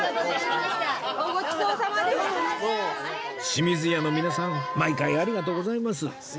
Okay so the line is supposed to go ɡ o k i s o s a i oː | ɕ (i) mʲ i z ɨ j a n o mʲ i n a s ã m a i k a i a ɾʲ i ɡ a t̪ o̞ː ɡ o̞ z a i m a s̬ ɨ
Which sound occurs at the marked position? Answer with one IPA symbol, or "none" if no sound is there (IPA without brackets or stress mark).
i